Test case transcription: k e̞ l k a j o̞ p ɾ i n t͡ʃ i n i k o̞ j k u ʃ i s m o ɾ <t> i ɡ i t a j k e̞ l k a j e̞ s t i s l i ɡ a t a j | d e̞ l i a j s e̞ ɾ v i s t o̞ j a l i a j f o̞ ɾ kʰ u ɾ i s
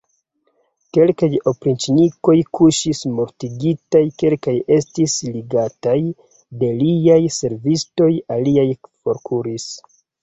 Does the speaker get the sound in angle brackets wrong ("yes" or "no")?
no